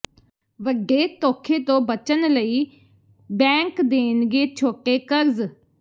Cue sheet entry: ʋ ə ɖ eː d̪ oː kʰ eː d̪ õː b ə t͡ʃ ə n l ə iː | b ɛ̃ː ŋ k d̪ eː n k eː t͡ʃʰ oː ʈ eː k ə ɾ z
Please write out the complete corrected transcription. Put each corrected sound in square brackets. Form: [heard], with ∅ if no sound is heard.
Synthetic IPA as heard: ʋ ə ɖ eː [t̪] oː kʰ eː [t̪] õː b ə t͡ʃ ə n l ə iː | b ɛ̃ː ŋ k d̪ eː n [ɡ] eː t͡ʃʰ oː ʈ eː k ə ɾ z